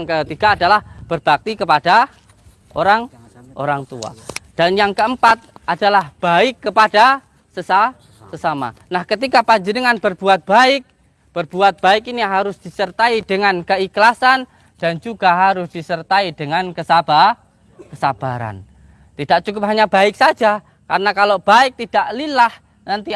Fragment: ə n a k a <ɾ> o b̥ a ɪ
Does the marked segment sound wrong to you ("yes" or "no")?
yes